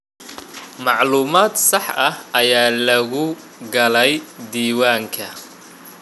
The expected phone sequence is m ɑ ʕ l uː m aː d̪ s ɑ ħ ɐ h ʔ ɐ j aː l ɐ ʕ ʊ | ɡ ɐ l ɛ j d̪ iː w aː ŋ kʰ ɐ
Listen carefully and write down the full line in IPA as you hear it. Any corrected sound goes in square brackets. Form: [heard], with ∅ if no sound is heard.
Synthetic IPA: m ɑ ʕ l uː m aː d̪ s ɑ ħ ɐ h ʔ ɐ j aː l ɐ [ɣ] ʊ | ɡ ɐ l ɛ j d̪ iː w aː ŋ kʰ ɐ